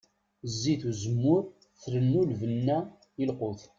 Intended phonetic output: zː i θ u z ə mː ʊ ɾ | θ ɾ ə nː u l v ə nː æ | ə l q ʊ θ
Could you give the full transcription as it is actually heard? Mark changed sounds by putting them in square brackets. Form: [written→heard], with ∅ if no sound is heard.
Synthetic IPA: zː i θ u z ə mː ʊ ɾ | θ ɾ ə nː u l v ə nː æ | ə l q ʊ θ